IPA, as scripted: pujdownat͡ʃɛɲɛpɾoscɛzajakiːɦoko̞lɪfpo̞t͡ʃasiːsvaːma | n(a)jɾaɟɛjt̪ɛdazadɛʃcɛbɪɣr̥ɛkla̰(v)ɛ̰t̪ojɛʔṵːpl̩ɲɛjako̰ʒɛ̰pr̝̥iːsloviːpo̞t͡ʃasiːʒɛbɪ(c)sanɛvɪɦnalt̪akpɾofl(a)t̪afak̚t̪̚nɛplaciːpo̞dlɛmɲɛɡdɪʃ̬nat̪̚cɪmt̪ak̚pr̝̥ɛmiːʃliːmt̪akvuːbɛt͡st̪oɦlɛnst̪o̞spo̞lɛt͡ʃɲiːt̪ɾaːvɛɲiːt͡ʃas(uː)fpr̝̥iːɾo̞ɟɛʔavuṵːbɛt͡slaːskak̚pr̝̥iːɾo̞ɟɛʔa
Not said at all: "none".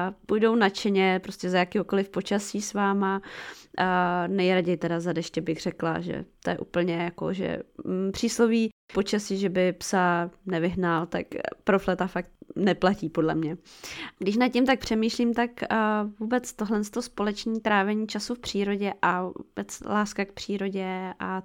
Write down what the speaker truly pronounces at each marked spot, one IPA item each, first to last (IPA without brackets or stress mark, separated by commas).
ɛ, ʒ, p, ɛ, u